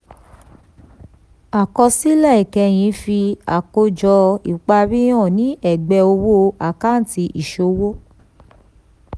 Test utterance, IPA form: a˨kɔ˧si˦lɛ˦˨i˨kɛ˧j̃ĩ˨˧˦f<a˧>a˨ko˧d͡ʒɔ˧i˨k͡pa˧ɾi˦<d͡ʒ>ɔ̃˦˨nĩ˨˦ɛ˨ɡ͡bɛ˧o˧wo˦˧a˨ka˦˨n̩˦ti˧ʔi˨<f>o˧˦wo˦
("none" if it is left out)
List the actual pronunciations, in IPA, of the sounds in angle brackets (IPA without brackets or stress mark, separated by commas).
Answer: i˧, none, ʃ